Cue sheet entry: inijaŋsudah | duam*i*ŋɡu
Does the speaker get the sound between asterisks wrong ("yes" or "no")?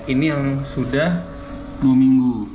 no